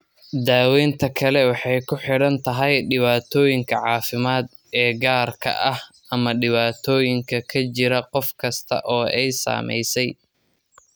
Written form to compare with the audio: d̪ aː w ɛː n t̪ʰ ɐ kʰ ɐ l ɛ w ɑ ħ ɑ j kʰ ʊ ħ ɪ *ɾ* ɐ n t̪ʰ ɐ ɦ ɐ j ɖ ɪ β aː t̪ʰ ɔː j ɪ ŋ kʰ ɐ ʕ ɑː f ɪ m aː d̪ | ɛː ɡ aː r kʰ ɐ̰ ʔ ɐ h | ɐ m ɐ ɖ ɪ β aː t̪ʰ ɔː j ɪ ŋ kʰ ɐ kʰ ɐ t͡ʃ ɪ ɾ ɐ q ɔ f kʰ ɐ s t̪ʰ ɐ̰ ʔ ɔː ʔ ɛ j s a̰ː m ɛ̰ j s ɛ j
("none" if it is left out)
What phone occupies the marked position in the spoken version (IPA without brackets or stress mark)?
ɽ